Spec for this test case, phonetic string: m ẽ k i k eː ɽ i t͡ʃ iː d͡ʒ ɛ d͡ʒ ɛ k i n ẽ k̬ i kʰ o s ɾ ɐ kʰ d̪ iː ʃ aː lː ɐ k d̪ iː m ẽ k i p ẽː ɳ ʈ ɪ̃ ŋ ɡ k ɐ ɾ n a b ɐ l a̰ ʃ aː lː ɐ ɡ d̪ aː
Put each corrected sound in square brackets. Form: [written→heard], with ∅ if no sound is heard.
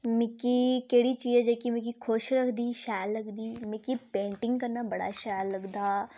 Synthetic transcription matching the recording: m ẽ k i k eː ɽ i t͡ʃ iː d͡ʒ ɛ d͡ʒ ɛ k i [n→m] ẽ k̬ i kʰ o [s→ʃ] ɾ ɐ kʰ d̪ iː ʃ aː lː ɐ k d̪ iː m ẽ k i p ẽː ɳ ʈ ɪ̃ ŋ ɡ k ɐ ɾ n a b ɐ [l→ɽ] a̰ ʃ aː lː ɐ ɡ d̪ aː